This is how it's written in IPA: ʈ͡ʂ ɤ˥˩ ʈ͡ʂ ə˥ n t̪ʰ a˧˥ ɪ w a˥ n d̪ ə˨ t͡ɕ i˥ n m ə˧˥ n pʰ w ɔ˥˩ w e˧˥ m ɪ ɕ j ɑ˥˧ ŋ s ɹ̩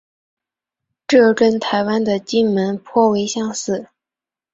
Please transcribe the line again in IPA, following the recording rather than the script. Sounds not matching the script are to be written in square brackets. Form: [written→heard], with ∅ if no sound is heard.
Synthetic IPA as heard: ʈ͡ʂ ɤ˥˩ ʈ͡ʂ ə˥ n t̪ʰ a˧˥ ɪ w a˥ n d̪ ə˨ t͡ɕ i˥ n m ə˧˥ n pʰ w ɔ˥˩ w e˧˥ [m→∅] ɪ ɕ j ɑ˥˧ ŋ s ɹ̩